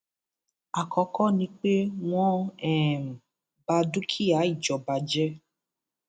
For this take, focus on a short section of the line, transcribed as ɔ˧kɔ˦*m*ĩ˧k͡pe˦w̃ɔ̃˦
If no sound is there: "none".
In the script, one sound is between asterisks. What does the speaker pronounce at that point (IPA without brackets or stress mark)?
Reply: n